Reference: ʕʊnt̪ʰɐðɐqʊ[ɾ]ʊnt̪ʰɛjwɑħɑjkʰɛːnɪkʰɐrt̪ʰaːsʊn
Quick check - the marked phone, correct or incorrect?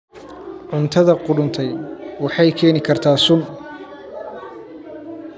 incorrect